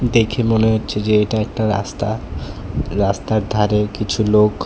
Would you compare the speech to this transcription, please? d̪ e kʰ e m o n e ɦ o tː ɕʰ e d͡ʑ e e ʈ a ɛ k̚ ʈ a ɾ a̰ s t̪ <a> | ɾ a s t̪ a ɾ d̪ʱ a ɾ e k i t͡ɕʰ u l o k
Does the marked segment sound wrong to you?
no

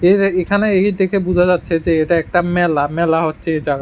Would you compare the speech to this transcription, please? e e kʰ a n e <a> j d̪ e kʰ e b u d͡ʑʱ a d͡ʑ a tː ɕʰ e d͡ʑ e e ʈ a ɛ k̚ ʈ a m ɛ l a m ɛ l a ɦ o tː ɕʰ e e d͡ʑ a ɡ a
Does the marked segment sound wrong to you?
yes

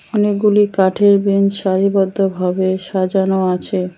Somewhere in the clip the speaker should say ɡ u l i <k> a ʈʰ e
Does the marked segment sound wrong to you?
no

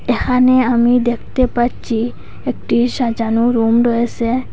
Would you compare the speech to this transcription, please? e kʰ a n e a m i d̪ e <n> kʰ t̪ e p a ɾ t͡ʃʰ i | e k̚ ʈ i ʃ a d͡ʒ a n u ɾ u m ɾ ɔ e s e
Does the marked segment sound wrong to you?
yes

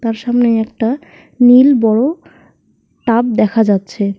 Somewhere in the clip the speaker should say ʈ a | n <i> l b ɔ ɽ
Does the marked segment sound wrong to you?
no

